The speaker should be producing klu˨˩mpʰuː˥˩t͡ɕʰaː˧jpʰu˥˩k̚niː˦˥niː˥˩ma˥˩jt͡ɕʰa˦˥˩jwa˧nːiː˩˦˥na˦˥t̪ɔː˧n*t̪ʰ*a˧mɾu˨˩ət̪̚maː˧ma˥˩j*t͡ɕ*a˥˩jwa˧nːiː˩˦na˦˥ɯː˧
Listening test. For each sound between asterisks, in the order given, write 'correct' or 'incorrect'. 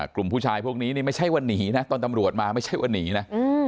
incorrect: t̪, incorrect: t͡ɕʰ

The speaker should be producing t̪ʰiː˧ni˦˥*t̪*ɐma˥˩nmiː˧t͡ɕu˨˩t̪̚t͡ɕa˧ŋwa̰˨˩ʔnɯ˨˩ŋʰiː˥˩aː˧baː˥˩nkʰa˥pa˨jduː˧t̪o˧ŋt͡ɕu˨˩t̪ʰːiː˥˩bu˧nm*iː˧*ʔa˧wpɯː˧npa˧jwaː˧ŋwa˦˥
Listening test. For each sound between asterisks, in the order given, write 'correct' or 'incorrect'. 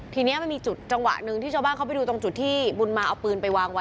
incorrect: none, incorrect: aː˧

